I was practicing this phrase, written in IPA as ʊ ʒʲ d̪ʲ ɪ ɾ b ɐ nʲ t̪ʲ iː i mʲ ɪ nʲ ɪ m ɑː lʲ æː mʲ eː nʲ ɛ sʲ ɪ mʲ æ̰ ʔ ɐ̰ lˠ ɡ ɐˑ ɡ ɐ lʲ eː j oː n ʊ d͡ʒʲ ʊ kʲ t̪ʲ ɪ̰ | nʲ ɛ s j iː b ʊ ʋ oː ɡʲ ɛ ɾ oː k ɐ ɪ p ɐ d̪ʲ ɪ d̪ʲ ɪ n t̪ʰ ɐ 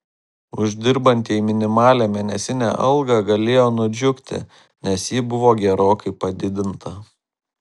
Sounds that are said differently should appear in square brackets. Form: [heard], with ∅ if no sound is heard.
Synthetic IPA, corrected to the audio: ʊ ʒʲ d̪ʲ ɪ ɾ b ɐ nʲ t̪ʲ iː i mʲ ɪ nʲ ɪ m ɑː lʲ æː mʲ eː nʲ ɛ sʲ ɪ [nʲ] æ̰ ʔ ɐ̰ lˠ ɡ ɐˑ ɡ ɐ lʲ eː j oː n ʊ d͡ʒʲ ʊ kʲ t̪ʲ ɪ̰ | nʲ ɛ s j iː b ʊ ʋ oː ɡʲ ɛ ɾ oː k ɐ ɪ p ɐ d̪ʲ ɪ d̪ʲ ɪ n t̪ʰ ɐ